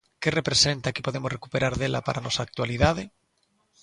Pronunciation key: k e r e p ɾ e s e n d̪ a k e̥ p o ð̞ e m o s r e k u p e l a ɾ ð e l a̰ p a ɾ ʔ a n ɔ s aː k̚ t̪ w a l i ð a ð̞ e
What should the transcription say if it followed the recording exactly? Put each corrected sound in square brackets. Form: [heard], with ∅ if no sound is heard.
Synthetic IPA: k e r e p ɾ e s e n [t̪] a k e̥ p o ð̞ e m o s r e k u p e [ɾ] a ɾ ð e l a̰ p a ɾ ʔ a n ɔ s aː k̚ t̪ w a l i ð a ð̞ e